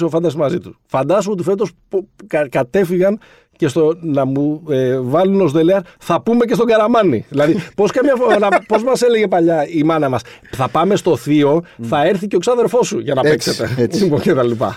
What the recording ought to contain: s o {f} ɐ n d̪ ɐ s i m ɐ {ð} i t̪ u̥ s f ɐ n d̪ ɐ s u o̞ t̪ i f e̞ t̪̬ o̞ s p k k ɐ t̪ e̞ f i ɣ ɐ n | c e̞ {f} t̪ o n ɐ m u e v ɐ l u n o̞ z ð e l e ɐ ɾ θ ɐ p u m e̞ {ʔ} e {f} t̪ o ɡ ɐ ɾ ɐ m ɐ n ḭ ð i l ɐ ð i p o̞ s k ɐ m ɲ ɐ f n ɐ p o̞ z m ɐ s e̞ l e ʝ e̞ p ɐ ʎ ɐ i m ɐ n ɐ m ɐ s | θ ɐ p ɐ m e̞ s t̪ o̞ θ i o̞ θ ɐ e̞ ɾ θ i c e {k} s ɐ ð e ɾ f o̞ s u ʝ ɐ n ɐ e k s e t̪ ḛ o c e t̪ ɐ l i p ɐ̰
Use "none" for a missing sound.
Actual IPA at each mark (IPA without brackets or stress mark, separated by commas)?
f, z, s, c, s, k